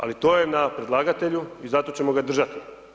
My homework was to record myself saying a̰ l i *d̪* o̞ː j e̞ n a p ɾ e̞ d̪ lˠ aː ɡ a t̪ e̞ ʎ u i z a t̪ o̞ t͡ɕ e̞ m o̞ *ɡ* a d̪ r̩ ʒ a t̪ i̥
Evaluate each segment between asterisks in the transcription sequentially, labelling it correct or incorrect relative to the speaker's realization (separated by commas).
incorrect, correct